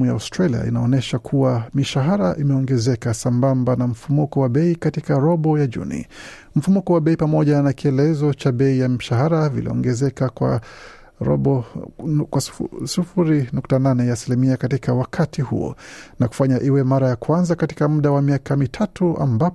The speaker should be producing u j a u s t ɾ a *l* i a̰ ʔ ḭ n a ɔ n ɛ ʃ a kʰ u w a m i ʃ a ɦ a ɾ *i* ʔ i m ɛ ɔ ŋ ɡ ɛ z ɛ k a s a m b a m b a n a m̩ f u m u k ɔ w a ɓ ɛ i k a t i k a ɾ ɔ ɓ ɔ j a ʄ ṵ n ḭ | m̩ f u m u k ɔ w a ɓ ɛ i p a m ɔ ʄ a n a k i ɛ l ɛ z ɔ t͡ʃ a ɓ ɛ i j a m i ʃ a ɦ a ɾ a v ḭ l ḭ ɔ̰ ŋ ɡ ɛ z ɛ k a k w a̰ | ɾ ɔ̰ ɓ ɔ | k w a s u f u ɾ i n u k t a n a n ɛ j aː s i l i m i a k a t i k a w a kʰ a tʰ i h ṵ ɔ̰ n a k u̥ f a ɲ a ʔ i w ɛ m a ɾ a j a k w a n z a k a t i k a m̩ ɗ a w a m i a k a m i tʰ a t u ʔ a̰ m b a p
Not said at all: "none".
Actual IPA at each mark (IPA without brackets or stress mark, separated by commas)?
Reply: l, a